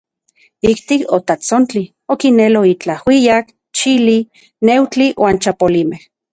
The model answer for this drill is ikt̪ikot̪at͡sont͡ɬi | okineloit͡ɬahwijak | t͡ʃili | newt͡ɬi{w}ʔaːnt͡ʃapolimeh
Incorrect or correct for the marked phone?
correct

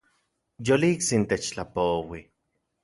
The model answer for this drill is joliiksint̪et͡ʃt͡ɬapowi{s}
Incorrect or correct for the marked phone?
incorrect: none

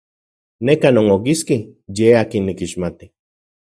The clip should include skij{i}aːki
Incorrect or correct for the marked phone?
incorrect: e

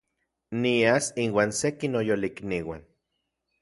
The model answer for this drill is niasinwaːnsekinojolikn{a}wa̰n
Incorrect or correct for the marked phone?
incorrect: i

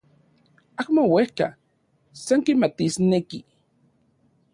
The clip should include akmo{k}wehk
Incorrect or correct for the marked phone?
incorrect: none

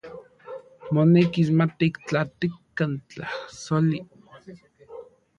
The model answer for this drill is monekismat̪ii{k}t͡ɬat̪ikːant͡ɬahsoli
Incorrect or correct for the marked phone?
correct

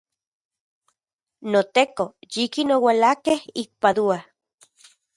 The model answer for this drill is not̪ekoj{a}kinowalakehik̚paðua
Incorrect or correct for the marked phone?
incorrect: i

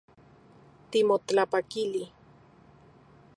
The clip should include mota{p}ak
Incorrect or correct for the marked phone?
correct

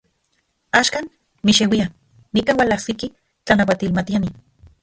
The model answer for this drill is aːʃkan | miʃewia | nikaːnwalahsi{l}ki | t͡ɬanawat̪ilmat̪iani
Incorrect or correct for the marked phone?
incorrect: none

